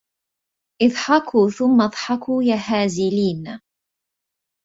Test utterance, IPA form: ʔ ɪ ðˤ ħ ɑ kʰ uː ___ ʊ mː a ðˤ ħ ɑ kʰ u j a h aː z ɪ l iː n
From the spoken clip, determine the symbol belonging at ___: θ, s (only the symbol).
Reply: θ